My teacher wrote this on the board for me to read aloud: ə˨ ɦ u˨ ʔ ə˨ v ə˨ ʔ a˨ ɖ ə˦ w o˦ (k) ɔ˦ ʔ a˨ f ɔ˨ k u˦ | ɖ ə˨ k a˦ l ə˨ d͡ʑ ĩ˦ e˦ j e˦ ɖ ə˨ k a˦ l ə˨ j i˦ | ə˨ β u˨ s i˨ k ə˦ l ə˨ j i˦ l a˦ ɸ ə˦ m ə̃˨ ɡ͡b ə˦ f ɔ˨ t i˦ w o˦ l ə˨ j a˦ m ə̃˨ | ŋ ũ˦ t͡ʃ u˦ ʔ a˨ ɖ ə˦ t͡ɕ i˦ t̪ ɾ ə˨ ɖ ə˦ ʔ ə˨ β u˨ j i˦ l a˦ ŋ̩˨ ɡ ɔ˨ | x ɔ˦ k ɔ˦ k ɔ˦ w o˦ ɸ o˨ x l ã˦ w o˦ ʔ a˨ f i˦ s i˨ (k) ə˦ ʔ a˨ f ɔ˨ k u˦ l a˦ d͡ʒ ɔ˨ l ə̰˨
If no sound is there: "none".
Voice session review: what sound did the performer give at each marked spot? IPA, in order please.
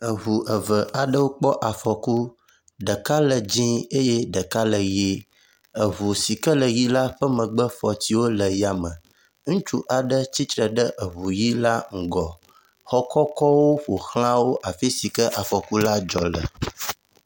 k͡p, k

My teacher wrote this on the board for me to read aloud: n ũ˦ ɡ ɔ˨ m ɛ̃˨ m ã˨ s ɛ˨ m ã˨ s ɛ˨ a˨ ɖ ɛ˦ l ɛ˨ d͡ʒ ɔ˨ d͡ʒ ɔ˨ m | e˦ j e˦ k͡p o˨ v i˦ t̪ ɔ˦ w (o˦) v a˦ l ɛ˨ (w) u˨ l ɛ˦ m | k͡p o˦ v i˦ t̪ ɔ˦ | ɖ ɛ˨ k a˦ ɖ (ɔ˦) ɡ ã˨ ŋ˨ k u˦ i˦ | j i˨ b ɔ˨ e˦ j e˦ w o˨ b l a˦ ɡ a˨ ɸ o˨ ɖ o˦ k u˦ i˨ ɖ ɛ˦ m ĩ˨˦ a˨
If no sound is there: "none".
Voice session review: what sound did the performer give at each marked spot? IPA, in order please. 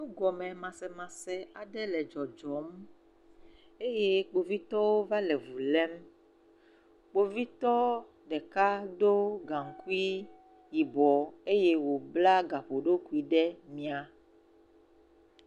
o˦, v, o˦

